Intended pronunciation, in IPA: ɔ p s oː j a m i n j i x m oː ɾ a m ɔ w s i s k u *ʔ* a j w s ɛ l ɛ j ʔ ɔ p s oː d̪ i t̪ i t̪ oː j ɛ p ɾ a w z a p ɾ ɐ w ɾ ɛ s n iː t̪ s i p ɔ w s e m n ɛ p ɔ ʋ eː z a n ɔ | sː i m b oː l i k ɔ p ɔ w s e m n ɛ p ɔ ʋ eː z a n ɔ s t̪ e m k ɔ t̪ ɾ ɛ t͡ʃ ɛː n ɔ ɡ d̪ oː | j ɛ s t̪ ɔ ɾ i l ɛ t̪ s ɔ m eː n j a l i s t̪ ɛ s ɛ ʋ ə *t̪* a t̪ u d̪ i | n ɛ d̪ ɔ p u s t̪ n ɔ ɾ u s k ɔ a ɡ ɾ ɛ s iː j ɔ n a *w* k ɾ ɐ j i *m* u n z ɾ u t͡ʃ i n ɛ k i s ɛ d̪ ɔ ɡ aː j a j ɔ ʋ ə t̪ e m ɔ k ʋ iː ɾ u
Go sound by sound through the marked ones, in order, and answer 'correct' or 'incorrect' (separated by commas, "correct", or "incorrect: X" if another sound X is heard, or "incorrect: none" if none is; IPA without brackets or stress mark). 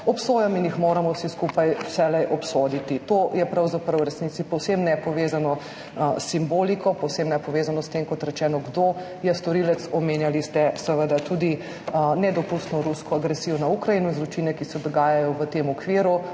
incorrect: p, incorrect: d̪, incorrect: u, incorrect: n